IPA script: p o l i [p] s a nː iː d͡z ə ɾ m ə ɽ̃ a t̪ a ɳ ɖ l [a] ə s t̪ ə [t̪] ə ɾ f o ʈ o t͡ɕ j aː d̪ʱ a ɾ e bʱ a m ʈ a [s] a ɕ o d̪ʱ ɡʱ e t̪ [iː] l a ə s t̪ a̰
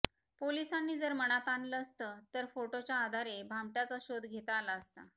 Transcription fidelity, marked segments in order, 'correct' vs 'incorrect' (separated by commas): incorrect, incorrect, correct, incorrect, incorrect